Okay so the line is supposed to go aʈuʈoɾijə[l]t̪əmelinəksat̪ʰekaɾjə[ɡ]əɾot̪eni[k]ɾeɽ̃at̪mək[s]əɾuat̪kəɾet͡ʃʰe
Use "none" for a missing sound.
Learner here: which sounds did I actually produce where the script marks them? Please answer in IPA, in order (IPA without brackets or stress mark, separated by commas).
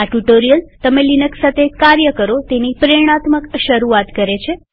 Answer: l, k, p, ʃ